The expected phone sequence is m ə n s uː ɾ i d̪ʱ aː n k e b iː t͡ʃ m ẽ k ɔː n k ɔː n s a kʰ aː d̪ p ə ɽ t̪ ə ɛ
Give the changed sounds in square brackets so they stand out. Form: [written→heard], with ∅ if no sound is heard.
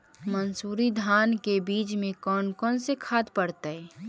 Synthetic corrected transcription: m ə n s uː ɾ i d̪ʱ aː n k e b iː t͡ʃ m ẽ k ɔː n k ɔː n s [a→e] kʰ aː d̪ p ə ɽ t̪ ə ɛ

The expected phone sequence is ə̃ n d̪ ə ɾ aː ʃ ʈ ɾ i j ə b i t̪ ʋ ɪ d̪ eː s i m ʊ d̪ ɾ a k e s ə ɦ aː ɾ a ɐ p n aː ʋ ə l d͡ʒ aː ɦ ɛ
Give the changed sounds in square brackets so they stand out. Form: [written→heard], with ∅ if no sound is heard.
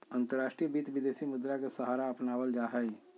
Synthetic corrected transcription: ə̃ n [d̪→t̪] ə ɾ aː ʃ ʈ ɾ i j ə b i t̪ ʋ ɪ d̪ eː s i m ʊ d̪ ɾ a k e s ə ɦ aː ɾ a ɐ p n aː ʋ ə l d͡ʒ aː ɦ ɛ

